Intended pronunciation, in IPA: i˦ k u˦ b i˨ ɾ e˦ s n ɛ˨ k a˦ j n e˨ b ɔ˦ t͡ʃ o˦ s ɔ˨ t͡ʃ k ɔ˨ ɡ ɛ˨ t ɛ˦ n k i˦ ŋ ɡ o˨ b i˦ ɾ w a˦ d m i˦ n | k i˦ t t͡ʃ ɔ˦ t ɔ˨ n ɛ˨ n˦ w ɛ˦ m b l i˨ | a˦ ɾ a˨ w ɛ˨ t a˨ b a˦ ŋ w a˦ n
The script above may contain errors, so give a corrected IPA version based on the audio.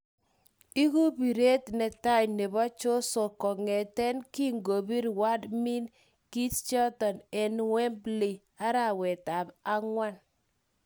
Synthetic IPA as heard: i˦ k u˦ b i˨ ɾ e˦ t n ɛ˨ t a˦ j n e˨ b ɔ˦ t͡ʃ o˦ s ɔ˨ k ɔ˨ ŋ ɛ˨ t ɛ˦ n k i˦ ŋ ɡ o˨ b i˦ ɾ w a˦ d m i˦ n | k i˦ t t͡ʃ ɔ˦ t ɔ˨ n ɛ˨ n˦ w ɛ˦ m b l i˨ | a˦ ɾ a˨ w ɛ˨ t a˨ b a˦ ŋ w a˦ n

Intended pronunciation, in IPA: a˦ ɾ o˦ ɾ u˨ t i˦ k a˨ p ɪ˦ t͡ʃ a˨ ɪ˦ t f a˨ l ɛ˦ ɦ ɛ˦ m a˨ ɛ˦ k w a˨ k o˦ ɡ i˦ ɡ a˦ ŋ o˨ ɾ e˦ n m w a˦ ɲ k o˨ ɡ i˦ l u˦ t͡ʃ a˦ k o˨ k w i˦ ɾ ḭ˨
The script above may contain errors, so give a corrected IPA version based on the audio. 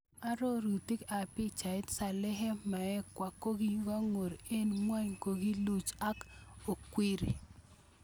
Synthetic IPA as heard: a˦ ɾ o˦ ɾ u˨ t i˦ k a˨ p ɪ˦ t͡ʃ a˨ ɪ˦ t s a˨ l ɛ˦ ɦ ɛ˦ m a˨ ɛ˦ k w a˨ k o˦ ɡ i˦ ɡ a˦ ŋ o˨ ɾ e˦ n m w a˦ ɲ k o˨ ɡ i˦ l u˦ t͡ʃ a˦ k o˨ k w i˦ ɾ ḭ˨

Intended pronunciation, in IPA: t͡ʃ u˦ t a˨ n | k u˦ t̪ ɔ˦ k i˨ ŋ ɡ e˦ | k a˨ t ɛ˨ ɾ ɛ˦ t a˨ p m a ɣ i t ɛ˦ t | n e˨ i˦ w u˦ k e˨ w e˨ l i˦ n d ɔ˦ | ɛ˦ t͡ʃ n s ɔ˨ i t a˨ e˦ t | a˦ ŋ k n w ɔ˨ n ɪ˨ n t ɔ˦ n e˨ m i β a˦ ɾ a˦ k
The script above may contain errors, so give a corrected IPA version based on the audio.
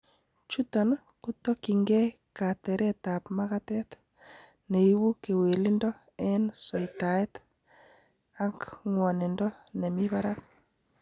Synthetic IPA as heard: t͡ʃ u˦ t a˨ n | k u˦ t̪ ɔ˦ k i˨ ŋ ɡ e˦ | k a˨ t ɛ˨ ɾ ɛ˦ t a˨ p m a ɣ a t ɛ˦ t | n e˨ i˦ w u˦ k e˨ w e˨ l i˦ n d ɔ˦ | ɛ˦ n s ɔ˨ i t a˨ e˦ t | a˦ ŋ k ŋ w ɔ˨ n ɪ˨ n d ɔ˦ n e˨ m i β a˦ ɾ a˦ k

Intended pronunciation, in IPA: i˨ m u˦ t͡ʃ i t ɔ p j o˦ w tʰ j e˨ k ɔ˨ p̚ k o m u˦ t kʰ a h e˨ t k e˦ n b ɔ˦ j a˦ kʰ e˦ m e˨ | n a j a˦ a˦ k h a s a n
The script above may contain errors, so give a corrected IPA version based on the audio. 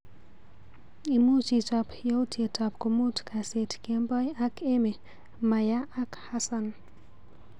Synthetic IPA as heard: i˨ m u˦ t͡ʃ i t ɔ p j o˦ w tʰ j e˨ t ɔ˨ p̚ k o m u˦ t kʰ a s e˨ t k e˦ m b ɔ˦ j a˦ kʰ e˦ m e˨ | m a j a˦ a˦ k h a s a n

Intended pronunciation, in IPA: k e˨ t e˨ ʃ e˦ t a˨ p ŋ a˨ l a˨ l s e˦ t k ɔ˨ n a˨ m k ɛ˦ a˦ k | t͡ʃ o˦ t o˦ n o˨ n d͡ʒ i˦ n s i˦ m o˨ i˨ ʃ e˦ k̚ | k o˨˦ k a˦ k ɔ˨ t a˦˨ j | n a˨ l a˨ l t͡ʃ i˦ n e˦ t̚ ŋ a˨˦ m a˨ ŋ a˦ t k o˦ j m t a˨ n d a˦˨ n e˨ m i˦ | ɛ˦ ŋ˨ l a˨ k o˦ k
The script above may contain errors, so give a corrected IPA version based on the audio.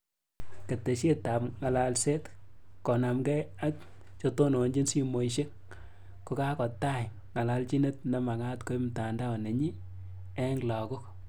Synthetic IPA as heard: k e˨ t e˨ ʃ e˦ t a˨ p ŋ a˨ l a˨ l s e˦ t k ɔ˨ n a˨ m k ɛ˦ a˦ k | t͡ʃ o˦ t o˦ n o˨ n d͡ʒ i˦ n s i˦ m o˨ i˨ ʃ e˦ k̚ | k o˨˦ k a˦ k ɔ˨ t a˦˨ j | ŋ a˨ l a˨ l t͡ʃ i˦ n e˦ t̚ n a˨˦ m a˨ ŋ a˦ t k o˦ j m t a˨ n d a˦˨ n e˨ ɲ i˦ | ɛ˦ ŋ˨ l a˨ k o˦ k

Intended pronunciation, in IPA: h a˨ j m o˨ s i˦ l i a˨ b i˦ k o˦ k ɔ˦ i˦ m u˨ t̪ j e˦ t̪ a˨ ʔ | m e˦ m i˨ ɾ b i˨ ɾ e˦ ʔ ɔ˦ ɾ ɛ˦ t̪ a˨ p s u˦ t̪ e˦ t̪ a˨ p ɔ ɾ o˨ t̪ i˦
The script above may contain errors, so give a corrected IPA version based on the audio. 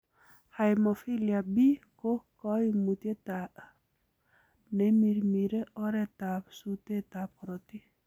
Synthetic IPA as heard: h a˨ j m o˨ f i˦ l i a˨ b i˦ k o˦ k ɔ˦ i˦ m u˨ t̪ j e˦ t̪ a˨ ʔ | n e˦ m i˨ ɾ m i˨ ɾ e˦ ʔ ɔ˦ ɾ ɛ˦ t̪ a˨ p s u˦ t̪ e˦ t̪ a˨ p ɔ ɾ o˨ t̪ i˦

